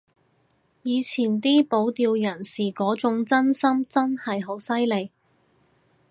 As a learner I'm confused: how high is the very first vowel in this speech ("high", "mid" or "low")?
high